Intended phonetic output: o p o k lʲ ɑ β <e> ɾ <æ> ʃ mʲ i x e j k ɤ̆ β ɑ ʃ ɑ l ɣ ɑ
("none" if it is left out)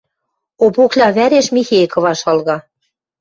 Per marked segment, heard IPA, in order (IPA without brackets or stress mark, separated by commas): æ, e